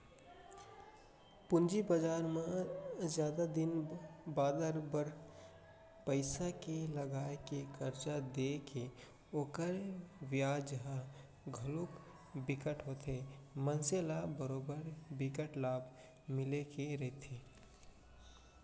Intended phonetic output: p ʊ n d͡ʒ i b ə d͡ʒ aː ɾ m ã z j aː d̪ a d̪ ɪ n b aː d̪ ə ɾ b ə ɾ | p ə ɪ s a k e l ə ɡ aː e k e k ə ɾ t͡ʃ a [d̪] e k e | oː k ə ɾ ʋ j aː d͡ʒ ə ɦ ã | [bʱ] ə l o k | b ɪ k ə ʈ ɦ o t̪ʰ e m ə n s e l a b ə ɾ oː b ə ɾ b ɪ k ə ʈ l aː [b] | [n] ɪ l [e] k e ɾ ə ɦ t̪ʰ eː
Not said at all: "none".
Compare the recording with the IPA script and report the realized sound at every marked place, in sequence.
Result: d̪, ɡʱ, b, m, e

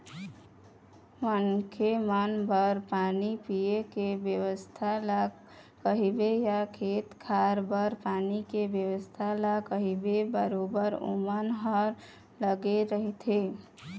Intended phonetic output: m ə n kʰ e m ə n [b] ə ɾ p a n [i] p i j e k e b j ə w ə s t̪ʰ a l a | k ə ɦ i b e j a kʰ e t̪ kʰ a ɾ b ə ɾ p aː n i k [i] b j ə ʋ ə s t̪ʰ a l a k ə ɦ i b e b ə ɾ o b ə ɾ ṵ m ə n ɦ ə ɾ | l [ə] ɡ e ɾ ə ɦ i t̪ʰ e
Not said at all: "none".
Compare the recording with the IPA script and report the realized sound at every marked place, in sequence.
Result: b, i, e, ə

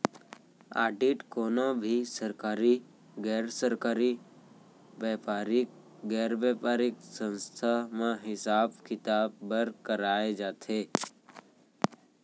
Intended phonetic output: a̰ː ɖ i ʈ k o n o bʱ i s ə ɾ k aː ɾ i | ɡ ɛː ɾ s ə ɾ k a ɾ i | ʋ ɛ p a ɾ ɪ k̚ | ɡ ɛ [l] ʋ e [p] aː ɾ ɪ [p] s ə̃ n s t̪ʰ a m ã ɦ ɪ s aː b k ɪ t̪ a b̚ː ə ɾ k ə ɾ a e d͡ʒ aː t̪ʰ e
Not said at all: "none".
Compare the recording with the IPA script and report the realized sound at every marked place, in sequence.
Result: ɾ, p, k

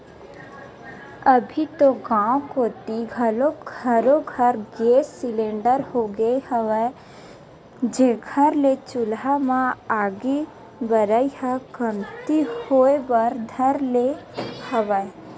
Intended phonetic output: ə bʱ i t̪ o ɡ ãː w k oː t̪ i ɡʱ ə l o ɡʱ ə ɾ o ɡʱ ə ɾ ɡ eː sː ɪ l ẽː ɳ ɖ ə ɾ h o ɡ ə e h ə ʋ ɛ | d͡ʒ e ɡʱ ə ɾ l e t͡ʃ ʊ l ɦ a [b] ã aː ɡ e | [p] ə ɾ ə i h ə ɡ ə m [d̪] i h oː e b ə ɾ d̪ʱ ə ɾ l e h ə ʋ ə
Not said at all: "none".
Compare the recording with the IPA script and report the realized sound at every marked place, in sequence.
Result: m, b, t̪

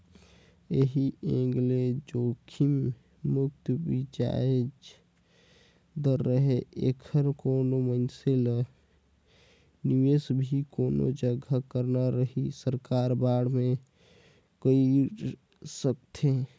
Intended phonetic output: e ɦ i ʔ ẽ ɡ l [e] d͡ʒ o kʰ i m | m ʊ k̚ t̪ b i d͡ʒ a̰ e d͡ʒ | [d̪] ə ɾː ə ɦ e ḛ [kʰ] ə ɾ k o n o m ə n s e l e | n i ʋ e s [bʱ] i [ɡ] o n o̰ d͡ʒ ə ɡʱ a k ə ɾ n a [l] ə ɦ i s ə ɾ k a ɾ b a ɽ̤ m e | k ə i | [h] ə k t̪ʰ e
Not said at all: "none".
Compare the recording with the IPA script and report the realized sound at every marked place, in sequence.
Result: e, d̪, kʰ, bʱ, k, ɾ, s

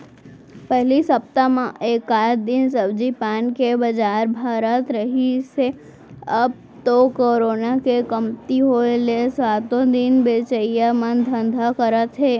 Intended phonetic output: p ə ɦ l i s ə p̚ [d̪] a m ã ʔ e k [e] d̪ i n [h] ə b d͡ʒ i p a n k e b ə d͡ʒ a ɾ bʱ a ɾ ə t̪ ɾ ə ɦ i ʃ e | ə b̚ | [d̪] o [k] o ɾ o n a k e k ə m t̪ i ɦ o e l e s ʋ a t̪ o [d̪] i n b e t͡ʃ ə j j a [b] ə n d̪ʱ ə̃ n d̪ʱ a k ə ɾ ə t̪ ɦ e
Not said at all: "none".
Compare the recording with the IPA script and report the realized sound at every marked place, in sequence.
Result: t̪, a, s, t̪, k, d̪, m

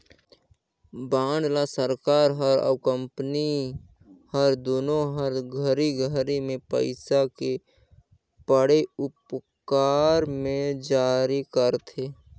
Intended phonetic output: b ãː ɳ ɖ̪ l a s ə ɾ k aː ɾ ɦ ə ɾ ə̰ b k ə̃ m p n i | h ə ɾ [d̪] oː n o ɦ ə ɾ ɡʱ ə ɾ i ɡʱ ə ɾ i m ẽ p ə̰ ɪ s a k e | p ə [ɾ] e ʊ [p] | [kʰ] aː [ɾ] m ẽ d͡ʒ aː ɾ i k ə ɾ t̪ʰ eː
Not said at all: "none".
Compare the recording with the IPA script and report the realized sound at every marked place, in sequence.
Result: d̪, ɽ, p, k, ɾ

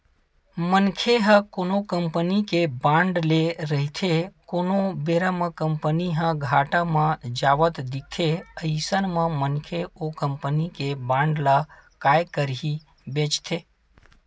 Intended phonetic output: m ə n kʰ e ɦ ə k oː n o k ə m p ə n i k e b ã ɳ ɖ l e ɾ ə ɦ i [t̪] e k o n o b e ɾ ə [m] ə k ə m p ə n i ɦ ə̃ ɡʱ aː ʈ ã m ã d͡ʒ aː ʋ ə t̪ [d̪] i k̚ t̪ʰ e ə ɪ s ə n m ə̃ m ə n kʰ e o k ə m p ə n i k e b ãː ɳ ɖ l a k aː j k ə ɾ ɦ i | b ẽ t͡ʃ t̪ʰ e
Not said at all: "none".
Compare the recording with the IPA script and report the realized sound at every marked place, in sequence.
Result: t̪ʰ, m, d̪

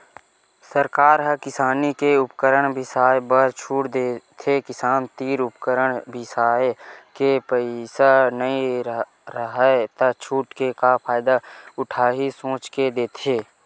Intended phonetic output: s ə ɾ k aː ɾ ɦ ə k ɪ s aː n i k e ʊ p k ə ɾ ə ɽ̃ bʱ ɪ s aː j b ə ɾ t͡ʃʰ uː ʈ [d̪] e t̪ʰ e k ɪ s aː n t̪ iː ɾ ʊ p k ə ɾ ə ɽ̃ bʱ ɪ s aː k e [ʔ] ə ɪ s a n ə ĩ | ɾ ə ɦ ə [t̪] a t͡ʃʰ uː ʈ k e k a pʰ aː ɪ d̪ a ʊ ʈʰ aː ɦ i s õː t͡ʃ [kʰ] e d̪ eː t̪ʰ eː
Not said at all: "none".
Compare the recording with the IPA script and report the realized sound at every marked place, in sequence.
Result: d̪, p, t̪, k

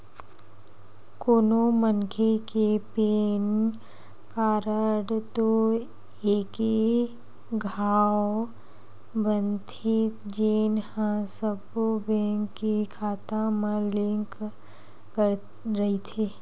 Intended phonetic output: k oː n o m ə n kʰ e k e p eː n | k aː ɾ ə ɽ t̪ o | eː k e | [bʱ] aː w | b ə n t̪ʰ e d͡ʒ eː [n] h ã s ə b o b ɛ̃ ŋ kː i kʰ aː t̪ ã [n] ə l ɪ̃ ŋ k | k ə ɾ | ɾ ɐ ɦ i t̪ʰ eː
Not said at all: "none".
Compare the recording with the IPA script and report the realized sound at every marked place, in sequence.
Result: ɡʱ, n, m

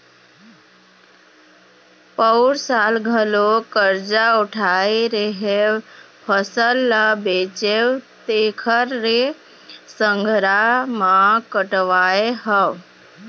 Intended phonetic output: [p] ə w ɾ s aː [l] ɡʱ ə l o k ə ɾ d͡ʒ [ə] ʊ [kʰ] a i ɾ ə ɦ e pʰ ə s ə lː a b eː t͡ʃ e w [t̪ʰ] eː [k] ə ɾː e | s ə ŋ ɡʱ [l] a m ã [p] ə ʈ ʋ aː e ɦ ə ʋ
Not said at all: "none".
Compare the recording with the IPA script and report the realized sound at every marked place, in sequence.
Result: p, l, a, ʈʰ, t̪, kʰ, ɾ, k

